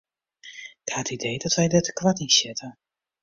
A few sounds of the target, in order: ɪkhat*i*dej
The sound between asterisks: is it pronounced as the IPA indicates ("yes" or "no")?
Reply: yes